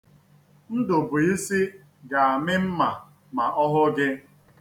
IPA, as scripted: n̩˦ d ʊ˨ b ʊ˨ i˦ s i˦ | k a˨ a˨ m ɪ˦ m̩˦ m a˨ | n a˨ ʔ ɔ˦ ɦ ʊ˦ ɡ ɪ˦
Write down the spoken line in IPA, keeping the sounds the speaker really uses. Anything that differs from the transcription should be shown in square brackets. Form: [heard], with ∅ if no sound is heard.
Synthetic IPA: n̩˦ d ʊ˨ b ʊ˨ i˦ s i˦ | [ɡ] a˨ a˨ m ɪ˦ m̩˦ m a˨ | [m] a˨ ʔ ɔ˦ ɦ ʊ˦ ɡ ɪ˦

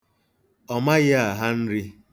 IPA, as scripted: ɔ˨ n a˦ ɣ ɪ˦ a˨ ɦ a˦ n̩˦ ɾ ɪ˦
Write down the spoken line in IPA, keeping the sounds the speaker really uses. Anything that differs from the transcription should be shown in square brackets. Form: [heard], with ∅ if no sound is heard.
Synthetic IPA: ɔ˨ [m] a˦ ɣ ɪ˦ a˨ ɦ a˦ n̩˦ ɾ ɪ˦

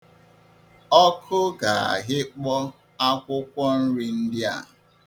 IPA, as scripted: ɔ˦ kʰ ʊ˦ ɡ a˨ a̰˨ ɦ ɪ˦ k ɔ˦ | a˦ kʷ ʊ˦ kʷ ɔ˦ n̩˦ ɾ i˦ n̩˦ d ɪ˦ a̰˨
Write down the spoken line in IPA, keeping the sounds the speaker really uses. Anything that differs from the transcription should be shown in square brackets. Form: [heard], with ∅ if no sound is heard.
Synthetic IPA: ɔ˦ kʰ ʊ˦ ɡ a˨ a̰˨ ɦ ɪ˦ [k͡p] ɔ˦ | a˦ kʷ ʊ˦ kʷ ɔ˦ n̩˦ ɾ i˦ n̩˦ d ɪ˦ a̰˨

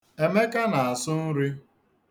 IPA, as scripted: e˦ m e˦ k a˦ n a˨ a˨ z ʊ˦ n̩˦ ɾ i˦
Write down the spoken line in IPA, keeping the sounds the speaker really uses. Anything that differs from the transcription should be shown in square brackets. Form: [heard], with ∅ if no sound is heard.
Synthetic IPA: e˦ m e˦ k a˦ n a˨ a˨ [s] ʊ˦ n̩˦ ɾ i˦

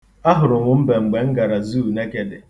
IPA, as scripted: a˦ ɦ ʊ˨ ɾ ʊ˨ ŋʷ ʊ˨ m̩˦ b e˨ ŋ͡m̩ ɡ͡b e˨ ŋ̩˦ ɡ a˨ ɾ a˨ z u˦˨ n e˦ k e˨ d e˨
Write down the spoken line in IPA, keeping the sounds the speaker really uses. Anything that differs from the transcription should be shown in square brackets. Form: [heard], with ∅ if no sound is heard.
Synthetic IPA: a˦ ɦ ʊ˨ ɾ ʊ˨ ŋʷ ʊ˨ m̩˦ b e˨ ŋ͡m̩ ɡ͡b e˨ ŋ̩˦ ɡ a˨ ɾ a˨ z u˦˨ n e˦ k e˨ d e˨

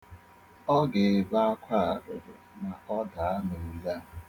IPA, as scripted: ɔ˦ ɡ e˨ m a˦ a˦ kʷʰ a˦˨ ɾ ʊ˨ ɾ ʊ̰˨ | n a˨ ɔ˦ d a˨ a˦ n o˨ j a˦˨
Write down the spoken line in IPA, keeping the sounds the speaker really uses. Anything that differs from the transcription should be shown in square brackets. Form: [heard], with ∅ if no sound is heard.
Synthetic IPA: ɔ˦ ɡ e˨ [b] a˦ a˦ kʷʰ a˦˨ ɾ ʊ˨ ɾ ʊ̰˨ | n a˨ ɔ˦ d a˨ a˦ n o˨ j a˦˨

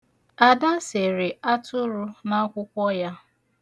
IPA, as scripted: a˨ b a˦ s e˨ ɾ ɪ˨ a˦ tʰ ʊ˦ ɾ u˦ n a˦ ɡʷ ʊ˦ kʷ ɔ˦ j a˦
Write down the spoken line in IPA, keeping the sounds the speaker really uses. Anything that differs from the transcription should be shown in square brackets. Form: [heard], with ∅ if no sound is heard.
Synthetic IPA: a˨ [d] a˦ s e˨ ɾ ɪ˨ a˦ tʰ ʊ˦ ɾ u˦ n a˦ [kʷ] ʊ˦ kʷ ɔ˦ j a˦

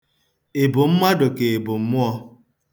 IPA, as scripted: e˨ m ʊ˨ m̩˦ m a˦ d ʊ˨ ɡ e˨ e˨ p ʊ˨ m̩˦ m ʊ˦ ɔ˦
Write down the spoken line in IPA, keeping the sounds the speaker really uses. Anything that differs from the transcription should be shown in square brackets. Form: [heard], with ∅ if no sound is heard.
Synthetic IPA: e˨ [b] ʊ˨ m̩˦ m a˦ d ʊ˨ [k] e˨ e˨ [b] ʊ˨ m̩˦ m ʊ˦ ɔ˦

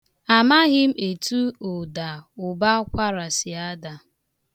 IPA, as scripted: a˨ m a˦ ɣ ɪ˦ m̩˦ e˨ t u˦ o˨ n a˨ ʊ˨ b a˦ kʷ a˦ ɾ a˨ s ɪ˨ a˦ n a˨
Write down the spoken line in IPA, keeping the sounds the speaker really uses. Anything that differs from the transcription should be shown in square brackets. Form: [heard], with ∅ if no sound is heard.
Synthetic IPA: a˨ m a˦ ɣ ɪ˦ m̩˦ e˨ t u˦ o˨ [d] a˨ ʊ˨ b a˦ kʷ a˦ ɾ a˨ s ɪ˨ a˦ [d] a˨

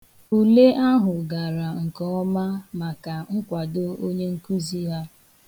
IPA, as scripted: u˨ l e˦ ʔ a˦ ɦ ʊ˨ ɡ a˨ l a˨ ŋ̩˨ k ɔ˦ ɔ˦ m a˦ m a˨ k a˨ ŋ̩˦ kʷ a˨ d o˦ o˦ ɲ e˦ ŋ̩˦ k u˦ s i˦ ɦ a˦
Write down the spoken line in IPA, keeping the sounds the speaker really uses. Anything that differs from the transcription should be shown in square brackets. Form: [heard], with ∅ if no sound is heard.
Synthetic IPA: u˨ l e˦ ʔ a˦ ɦ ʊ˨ ɡ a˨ [ɾ] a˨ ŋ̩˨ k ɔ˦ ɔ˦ m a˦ m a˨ k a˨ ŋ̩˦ kʷ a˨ d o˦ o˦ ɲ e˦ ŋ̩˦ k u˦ [z] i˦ ɦ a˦

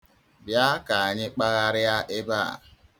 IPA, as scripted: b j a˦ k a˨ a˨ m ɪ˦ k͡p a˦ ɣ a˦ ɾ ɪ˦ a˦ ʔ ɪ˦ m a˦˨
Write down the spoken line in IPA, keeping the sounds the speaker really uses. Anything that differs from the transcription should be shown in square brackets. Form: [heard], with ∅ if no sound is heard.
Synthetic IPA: b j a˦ k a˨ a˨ [ɲ] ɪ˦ k͡p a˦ ɣ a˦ ɾ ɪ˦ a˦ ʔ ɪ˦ [b] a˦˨

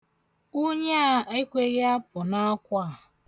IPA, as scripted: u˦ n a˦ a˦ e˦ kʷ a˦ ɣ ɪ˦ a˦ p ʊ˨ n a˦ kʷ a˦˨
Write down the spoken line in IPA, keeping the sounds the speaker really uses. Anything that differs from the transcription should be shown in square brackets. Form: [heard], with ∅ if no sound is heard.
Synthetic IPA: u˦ [ɲ] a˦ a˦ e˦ kʷ [e˦] ɣ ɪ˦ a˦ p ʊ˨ n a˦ kʷ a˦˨

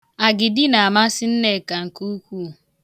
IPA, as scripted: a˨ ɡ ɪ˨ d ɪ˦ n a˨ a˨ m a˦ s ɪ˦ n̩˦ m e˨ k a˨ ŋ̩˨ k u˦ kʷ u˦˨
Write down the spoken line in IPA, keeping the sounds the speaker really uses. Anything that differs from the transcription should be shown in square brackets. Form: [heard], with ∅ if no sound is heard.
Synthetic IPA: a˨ ɡ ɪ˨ d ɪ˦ n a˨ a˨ m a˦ s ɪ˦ n̩˦ [n] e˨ k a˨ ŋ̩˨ k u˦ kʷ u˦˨

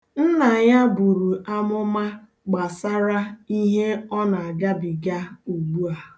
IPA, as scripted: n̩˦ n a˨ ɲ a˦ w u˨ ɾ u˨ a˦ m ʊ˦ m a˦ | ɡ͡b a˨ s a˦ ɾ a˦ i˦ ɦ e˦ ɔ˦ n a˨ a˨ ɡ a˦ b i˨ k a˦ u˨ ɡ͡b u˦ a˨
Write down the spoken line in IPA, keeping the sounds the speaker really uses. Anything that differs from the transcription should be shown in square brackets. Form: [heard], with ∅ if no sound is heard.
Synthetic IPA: n̩˦ n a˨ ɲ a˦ [b] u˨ ɾ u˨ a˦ m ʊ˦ m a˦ | ɡ͡b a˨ s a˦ ɾ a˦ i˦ ɦ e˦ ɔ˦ n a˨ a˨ ɡ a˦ b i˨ [ɡ] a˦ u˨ ɡ͡b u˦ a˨

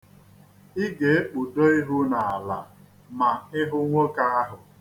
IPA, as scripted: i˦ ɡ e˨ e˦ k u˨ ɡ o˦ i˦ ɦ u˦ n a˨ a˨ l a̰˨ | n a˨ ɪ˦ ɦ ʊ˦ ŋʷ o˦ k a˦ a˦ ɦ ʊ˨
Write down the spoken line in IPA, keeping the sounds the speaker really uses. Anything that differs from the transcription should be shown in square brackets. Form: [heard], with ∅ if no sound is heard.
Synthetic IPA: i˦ ɡ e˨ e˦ [k͡p] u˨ [d] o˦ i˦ ɦ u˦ n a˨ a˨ l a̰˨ | [m] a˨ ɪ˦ ɦ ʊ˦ ŋʷ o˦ k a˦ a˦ ɦ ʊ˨

